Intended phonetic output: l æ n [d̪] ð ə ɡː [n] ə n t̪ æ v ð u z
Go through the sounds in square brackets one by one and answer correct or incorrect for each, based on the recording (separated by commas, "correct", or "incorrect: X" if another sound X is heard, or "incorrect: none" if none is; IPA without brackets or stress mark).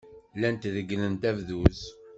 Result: incorrect: t̪, correct